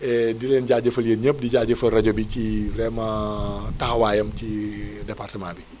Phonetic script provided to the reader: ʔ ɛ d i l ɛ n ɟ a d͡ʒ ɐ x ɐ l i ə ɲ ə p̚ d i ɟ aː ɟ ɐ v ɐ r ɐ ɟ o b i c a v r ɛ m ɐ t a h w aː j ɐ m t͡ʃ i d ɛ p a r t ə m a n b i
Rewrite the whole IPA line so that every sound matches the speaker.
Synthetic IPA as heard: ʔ ɛ d i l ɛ n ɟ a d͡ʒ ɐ f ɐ l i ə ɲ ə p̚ d i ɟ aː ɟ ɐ f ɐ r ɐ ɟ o b i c i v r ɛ m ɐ t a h w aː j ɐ m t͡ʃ i d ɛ p a r t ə m a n b i